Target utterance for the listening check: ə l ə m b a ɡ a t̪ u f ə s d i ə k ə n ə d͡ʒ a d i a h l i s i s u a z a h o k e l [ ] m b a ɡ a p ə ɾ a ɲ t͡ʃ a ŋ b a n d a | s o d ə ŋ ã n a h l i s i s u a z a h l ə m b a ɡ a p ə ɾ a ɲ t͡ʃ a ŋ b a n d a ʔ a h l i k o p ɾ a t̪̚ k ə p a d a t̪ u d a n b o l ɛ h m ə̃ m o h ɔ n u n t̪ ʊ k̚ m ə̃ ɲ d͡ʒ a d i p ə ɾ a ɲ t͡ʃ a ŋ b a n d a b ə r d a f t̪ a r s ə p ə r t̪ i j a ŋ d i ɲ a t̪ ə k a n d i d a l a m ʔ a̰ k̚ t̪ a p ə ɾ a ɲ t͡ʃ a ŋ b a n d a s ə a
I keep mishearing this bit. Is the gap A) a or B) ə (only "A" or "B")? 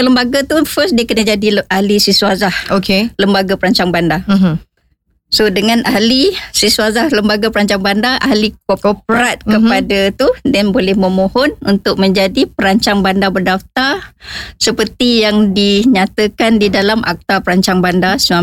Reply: B